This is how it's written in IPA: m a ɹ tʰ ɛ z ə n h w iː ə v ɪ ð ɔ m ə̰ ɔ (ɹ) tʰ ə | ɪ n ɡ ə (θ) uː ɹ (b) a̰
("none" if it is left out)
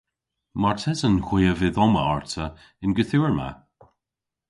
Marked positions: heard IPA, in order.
ɹ, θ, m

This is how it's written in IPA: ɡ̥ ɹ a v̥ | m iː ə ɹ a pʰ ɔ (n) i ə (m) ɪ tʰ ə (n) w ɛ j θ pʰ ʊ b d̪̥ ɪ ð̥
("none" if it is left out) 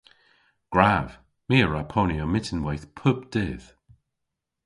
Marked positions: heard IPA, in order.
n, m, n

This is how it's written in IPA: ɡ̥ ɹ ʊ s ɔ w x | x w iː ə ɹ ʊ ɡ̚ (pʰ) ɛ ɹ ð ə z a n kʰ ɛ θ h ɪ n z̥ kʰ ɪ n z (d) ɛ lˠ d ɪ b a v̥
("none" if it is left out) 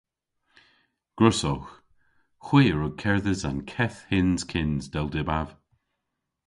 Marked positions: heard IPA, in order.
kʰ, d

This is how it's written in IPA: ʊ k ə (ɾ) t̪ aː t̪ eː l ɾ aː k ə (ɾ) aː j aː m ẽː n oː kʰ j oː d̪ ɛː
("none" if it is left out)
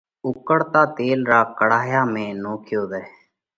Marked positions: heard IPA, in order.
ɽ, ɽ

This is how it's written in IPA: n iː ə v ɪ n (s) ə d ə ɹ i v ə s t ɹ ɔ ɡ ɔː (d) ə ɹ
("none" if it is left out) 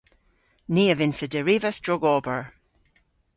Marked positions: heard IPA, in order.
s, b

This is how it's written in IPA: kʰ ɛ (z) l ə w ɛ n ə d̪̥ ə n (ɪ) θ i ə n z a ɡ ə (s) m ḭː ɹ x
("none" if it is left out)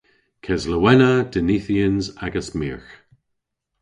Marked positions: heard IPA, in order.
z, i, s

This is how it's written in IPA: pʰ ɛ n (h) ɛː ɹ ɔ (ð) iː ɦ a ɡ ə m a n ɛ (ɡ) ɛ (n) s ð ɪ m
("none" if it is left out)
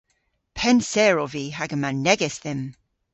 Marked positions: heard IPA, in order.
s, v, ɡ, none

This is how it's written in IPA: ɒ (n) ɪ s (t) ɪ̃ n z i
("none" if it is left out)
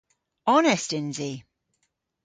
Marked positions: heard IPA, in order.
n, t

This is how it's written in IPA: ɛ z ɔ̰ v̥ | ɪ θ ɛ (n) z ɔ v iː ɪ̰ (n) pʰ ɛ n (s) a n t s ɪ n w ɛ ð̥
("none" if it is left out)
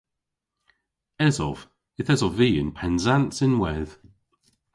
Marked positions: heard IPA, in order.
none, n, z

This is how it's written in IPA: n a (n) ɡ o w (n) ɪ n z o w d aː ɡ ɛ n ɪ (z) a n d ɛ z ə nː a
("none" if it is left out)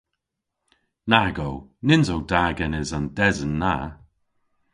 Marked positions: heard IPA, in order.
none, n, z

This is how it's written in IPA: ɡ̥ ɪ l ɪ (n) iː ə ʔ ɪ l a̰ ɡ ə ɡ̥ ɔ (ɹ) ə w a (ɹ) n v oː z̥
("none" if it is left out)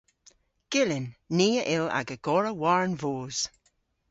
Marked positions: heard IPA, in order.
nː, ɹ, ɹ

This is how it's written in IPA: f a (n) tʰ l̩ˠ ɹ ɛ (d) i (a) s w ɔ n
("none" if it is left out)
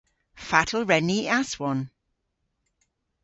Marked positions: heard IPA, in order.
none, n, a

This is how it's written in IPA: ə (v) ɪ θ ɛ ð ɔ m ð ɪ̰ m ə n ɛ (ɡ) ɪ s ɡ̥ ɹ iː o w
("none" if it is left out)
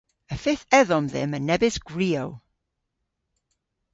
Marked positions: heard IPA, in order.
f, b

